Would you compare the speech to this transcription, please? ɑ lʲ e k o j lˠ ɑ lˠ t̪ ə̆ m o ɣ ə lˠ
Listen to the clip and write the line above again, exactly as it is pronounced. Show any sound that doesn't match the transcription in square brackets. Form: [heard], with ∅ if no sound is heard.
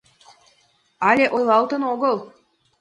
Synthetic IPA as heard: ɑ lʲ e [ʔ] o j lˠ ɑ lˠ t̪ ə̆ [n] o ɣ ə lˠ